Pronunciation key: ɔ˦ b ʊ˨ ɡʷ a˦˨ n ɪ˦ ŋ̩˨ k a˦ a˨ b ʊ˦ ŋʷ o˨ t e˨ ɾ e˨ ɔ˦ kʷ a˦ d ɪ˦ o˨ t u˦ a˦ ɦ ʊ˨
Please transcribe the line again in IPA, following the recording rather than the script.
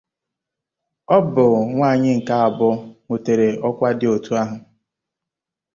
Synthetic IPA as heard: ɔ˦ b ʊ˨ ŋʷ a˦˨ ɲ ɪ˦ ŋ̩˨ k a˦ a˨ b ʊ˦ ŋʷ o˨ t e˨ ɾ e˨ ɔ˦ kʷ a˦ d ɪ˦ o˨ t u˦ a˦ ɦ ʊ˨